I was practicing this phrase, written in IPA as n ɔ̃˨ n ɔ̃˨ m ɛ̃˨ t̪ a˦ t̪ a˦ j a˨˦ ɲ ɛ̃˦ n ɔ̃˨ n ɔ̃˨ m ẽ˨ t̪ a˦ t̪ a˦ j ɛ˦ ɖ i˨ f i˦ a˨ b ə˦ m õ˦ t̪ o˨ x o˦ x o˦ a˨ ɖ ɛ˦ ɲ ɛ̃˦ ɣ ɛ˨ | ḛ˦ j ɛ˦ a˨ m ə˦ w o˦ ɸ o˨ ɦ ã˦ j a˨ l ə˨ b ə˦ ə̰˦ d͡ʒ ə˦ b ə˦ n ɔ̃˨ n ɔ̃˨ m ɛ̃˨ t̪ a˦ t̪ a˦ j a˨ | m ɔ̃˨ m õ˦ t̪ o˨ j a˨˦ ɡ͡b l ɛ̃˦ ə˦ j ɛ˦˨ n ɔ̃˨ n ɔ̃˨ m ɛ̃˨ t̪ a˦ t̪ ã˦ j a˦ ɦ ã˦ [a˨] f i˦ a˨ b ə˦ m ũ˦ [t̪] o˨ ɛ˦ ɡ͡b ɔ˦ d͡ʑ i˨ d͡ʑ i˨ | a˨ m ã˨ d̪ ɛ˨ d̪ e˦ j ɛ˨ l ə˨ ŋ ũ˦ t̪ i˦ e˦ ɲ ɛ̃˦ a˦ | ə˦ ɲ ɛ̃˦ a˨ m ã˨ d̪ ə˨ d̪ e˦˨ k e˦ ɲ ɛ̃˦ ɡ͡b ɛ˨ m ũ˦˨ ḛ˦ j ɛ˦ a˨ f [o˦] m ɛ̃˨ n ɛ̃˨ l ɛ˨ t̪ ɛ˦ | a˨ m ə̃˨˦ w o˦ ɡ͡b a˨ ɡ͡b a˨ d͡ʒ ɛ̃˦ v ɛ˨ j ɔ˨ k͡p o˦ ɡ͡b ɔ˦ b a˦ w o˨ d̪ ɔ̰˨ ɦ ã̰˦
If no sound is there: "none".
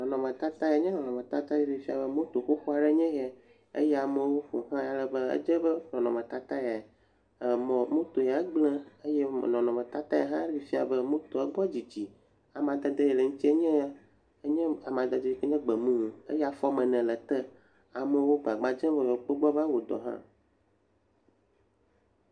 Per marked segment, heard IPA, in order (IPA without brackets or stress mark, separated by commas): i˨, t̪, ɔ˦